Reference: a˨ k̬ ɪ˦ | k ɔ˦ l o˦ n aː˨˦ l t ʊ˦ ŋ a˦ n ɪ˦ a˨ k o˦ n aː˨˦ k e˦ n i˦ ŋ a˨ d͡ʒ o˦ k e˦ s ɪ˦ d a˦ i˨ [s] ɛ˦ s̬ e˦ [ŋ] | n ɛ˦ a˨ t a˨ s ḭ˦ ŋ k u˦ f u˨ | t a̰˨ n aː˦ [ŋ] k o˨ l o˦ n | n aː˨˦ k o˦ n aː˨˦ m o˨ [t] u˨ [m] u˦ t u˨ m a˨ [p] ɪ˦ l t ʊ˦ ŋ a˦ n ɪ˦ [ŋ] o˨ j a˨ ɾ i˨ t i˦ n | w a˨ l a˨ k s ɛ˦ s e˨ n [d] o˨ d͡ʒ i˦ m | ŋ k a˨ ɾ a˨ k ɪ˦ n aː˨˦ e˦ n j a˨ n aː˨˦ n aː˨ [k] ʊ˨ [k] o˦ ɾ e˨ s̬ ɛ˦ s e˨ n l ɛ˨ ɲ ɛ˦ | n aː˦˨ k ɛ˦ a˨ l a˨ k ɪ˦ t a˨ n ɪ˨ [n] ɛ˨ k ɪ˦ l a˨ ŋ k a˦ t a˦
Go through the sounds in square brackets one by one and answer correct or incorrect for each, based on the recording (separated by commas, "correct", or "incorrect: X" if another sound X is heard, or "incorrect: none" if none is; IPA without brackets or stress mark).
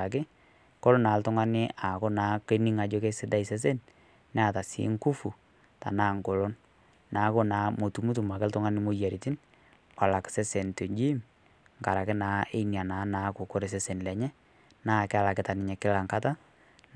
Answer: correct, incorrect: n, correct, correct, correct, incorrect: k, incorrect: m, incorrect: t, correct, correct, incorrect: ɲ